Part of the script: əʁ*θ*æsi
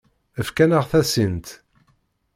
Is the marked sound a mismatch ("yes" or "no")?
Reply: no